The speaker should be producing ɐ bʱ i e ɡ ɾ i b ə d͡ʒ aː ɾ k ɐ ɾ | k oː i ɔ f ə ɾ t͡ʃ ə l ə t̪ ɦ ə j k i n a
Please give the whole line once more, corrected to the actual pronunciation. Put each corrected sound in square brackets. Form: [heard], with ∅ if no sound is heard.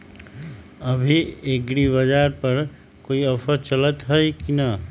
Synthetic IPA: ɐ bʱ i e ɡ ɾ i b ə d͡ʒ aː ɾ [p] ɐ ɾ | k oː i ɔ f ə ɾ t͡ʃ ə l ə t̪ ɦ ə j k i n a